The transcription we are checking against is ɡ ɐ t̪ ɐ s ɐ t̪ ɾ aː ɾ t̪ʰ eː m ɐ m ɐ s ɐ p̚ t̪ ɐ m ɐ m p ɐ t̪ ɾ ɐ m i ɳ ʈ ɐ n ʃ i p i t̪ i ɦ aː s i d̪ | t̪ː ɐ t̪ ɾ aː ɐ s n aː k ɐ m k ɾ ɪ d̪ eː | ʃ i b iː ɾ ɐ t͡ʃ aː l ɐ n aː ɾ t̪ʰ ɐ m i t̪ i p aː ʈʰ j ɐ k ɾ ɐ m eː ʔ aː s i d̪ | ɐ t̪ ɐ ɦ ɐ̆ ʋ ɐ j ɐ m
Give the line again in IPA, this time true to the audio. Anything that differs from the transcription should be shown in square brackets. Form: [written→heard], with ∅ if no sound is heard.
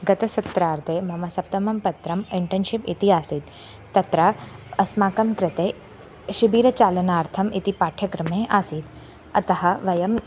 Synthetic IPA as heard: ɡ ɐ t̪ ɐ s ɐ t̪ ɾ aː ɾ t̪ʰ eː m ɐ m ɐ s ɐ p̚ t̪ ɐ m ɐ m p ɐ t̪ ɾ ɐ m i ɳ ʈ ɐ n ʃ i p i t̪ i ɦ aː s i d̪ | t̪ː ɐ t̪ ɾ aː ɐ s [n→m] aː k ɐ m k ɾ ɪ [d̪→t̪] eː | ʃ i b iː ɾ ɐ t͡ʃ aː l ɐ n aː ɾ t̪ʰ ɐ m i t̪ i p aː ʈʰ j ɐ k ɾ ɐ m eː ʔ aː s i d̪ | ɐ t̪ ɐ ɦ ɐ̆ ʋ ɐ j ɐ m